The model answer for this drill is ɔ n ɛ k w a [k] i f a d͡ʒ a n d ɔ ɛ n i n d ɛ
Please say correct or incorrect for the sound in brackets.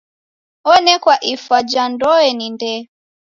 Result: incorrect